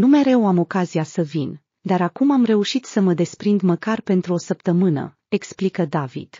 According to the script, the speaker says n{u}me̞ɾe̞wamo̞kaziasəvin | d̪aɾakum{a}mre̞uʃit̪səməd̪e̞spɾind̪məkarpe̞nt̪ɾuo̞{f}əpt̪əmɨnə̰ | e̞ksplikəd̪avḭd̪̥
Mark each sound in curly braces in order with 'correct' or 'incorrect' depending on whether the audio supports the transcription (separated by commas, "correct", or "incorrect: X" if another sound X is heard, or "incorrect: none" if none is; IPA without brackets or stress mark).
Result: correct, correct, incorrect: s